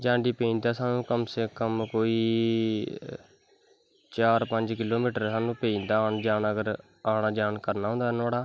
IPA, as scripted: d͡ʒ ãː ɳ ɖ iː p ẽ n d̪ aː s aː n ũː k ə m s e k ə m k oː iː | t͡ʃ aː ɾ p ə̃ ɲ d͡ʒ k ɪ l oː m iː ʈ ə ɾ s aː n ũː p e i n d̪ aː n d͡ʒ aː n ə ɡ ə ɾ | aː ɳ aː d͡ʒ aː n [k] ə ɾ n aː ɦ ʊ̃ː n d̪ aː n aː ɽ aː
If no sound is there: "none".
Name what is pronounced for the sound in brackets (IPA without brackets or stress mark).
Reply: k